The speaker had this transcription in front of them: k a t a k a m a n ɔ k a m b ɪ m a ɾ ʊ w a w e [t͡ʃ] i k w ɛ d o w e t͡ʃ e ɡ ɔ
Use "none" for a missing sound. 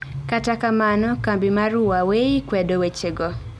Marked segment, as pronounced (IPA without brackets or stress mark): none